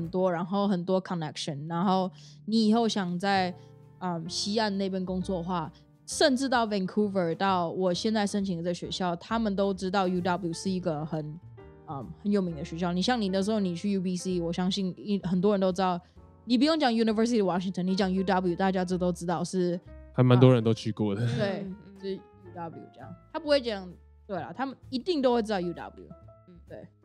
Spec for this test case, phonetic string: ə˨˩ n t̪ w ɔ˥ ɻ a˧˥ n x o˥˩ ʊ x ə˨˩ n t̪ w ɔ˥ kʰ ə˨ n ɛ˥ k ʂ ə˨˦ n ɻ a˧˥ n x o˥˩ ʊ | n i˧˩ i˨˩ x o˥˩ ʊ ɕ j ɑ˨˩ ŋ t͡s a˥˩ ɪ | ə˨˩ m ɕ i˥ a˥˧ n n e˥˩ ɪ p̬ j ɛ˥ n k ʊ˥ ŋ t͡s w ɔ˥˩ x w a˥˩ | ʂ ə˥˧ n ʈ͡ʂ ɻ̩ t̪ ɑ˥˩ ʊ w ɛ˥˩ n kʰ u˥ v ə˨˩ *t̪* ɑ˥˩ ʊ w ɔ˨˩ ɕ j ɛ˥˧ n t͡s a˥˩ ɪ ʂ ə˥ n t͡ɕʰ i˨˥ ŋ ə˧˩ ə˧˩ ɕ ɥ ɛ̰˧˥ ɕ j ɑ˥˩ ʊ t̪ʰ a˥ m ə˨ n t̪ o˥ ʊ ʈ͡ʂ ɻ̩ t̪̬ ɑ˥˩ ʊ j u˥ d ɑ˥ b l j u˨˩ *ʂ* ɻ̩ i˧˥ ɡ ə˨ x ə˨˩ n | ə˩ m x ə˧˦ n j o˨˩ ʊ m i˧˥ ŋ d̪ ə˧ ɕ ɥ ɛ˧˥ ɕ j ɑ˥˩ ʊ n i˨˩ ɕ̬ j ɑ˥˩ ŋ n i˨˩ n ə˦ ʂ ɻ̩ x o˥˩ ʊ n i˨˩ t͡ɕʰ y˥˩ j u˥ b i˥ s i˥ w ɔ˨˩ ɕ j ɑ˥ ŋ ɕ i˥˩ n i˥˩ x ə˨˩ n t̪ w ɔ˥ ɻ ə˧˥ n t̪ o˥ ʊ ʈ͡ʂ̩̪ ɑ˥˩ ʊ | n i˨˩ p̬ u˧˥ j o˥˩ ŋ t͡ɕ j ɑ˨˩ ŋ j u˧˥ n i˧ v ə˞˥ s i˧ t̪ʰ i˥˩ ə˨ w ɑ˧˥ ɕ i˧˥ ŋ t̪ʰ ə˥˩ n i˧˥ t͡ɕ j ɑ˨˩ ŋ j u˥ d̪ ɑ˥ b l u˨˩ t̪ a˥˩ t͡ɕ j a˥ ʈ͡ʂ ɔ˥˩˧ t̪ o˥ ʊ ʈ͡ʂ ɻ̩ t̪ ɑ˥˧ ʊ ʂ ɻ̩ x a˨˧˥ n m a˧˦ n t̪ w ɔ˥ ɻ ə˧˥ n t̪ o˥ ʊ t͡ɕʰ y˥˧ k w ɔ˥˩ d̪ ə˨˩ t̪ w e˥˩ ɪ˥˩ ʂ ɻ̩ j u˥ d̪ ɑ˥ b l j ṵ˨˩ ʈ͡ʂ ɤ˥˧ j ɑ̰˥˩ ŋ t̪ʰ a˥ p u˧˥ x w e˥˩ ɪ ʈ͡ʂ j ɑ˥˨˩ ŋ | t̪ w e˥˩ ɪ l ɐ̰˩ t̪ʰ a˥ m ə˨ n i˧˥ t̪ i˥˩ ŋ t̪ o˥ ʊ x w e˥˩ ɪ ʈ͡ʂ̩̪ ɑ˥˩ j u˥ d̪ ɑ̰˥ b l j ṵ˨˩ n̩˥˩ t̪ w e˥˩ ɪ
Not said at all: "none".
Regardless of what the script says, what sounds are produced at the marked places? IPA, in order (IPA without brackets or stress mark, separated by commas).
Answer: t̪, ʂ